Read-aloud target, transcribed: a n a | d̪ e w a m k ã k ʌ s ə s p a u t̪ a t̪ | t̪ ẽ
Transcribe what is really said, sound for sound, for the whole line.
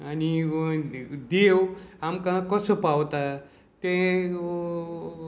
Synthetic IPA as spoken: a n i | d̪ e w a m k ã k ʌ s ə p a w t̪ a | t̪ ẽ